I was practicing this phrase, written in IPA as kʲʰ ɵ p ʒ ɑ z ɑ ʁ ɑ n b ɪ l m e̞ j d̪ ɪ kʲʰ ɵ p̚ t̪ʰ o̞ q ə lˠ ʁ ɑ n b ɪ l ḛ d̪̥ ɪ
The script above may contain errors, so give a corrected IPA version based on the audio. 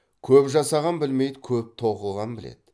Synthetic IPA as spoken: kʲʰ ɵ p ʒ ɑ s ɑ ʁ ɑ n b ɪ l m e̞ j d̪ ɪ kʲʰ ɵ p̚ t̪ʰ o̞ q ə lˠ ʁ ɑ n b ɪ l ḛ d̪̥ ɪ